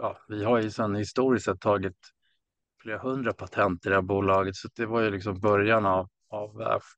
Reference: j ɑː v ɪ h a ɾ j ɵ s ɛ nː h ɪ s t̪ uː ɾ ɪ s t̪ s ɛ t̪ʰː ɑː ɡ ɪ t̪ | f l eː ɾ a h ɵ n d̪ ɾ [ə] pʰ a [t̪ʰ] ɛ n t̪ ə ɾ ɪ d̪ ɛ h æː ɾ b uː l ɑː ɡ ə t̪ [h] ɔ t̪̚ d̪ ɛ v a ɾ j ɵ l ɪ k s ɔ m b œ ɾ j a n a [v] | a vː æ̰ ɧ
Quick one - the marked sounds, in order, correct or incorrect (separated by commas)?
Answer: incorrect, correct, incorrect, correct